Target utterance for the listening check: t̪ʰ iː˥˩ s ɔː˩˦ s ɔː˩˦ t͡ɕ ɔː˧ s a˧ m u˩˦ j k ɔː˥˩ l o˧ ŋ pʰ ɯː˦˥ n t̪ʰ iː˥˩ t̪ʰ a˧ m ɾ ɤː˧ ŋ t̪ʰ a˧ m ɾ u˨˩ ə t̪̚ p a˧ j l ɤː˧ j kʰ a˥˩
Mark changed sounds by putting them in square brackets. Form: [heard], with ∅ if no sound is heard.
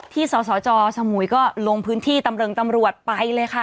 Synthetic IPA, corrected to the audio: t̪ʰ iː˥˩ s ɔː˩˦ s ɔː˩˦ t͡ɕ ɔː˧ s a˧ m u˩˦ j k ɔː˥˩ l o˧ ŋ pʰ ɯː˦˥ n t̪ʰ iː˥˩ [t̪] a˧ m ɾ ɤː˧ ŋ [t̪] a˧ m ɾ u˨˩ ə t̪̚ p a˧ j l ɤː˧ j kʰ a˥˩